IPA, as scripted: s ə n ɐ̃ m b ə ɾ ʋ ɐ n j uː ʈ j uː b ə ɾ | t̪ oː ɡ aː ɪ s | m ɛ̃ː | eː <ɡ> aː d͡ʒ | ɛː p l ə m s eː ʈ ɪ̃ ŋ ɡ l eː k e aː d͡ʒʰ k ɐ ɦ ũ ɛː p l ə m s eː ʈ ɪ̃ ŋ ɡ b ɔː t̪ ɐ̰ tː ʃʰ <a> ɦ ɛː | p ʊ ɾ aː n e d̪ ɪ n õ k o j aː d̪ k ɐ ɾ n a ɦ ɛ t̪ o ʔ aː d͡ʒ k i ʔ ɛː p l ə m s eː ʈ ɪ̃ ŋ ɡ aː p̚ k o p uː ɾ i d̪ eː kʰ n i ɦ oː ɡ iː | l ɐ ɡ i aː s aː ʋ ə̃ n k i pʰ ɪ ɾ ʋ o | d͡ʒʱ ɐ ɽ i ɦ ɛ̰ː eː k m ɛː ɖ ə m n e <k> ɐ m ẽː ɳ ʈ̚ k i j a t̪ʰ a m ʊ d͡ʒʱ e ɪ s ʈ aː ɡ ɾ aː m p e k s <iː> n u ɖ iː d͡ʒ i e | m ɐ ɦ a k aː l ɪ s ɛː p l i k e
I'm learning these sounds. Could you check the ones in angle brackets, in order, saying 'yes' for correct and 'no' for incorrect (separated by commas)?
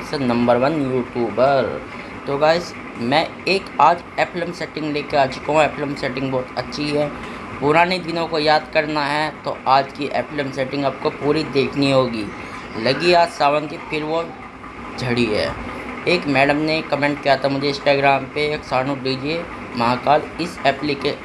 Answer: no, no, yes, no